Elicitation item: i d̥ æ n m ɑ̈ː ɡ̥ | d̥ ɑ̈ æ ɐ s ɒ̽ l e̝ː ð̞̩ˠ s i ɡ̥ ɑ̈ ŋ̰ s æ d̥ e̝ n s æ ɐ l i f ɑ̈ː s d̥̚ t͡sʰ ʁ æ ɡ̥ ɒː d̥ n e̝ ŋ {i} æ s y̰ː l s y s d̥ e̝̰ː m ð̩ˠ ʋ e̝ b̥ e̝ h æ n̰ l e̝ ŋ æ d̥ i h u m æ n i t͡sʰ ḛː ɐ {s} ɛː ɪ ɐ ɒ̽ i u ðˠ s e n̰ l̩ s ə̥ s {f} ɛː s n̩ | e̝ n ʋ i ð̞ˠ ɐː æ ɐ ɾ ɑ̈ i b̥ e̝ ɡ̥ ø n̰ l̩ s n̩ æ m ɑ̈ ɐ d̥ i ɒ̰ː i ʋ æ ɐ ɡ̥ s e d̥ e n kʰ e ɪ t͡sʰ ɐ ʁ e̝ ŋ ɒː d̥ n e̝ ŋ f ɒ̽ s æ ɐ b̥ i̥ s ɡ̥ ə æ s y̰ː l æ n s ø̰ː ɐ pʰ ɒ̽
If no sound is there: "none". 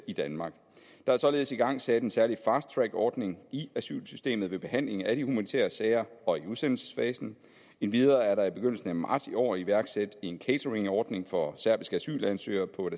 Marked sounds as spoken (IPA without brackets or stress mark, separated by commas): i, s, f